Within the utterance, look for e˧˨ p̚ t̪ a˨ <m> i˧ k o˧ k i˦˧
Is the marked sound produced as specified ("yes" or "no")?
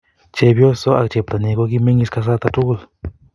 no